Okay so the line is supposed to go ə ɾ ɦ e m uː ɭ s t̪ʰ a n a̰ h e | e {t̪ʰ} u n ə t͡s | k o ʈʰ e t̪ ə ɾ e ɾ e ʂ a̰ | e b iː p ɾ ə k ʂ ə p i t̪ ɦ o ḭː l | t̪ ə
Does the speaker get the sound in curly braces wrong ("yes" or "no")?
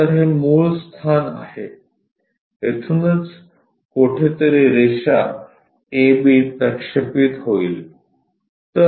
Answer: no